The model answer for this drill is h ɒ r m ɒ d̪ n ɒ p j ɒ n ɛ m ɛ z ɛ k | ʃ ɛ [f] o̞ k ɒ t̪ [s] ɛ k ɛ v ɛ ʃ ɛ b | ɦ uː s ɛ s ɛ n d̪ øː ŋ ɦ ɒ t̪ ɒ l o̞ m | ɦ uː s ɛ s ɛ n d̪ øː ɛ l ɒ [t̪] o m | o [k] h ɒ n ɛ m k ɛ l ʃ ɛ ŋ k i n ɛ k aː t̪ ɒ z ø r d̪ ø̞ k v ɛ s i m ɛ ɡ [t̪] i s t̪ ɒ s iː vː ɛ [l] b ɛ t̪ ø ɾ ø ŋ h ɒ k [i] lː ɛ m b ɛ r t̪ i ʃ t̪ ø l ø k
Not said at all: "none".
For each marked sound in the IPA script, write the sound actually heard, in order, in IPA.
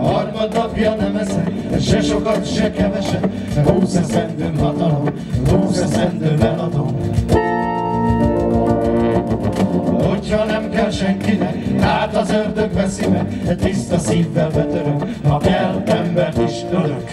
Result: ʃ, ʃ, d̪, c, t̪, l, ɛ

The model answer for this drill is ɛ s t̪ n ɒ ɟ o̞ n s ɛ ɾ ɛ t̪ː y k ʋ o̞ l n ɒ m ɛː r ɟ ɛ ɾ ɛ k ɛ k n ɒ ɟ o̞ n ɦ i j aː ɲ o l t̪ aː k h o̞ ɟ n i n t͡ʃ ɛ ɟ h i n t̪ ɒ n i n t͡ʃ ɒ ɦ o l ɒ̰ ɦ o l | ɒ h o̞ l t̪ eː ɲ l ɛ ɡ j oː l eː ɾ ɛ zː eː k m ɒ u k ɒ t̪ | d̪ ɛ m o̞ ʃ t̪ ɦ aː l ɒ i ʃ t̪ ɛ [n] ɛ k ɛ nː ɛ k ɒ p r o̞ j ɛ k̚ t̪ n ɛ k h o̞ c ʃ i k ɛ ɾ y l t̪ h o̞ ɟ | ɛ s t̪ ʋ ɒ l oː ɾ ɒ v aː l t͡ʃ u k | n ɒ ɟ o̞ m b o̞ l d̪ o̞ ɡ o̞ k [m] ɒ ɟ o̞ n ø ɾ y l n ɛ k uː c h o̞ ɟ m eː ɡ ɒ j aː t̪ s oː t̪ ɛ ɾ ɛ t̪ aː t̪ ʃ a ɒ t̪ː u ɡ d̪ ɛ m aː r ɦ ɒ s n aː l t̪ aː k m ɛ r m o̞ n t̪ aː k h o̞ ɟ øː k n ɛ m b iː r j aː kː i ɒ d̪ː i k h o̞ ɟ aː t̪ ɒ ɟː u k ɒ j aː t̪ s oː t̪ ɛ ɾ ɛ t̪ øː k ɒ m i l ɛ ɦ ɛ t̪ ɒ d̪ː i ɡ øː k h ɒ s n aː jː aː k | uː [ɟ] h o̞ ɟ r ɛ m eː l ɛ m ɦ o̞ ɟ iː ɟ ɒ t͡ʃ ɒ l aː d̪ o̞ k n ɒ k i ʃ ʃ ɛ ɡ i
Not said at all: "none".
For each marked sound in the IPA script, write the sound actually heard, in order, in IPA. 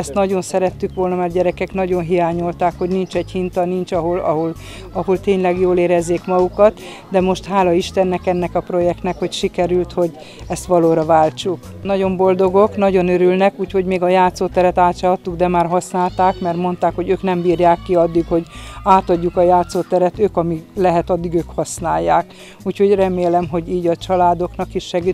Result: nː, n, c

